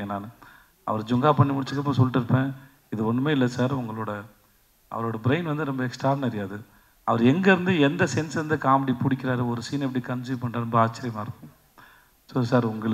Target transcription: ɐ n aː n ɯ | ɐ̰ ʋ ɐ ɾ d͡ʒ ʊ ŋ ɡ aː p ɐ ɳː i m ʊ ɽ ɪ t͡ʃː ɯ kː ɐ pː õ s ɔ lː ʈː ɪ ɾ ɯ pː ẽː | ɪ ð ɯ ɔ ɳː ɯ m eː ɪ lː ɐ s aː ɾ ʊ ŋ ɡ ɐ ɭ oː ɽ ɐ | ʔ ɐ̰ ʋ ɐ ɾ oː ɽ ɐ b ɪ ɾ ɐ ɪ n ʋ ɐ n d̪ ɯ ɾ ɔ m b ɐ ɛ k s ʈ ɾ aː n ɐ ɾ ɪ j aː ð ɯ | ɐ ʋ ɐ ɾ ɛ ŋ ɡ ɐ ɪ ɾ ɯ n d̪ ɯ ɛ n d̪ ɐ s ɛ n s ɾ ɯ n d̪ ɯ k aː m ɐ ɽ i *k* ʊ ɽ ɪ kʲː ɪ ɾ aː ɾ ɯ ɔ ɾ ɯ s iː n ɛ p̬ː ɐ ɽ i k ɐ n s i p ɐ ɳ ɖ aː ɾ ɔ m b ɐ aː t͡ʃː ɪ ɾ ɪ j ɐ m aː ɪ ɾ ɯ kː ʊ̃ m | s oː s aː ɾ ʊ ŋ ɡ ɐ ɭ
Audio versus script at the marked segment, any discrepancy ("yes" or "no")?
yes